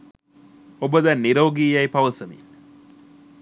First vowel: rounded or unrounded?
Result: rounded